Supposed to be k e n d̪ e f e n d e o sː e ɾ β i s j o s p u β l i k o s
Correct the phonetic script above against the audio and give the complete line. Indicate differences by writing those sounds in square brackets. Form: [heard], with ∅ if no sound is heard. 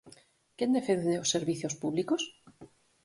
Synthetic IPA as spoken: k e n d̪ e f e n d e o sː e ɾ β i [θ] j o s p u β l i k o s

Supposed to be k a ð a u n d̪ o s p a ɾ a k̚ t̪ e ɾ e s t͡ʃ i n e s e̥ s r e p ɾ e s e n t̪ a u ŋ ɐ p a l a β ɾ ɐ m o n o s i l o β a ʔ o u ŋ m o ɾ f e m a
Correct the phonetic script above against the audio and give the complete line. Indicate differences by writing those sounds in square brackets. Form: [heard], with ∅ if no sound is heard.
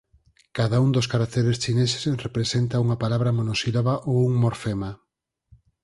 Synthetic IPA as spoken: k a ð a u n d̪ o s [k] a ɾ a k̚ t̪ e ɾ e s t͡ʃ i n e s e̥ s r e p ɾ e s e n t̪ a u ŋ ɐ p a l a β ɾ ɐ m o n o s i l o β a ʔ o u ŋ m o ɾ f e m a

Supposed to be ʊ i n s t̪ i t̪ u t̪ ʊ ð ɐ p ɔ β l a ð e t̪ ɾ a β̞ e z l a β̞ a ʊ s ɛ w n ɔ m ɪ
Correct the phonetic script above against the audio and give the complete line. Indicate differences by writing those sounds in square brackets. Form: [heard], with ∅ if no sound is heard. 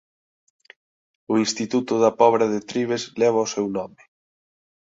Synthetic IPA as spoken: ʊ i n s t̪ i t̪ u t̪ ʊ ð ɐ p ɔ β [ɾ] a ð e t̪ ɾ [i] β̞ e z l [ɛ] β̞ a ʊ s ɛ w n ɔ m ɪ

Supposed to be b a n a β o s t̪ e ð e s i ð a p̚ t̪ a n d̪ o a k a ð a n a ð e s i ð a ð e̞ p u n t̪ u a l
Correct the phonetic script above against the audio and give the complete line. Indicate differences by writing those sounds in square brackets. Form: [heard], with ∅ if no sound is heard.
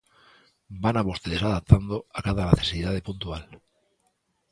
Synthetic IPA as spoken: b a n a β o s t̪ e ð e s [a] ð a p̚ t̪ a n d̪ o a k a ð a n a [θ] e s i ð a ð e̞ p u n t̪ u a l

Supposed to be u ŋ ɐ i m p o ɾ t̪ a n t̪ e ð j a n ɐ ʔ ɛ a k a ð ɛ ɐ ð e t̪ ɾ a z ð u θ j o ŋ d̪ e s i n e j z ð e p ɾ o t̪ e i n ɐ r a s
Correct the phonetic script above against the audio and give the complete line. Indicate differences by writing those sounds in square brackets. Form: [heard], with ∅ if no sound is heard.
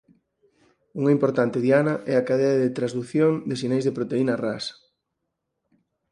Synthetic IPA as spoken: u ŋ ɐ i m p o ɾ t̪ a n t̪ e ð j a n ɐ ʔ ɛ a k a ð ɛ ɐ ð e t̪ ɾ a z ð u θ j o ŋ d̪ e s i n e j z ð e p ɾ o t̪ e i n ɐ r a s

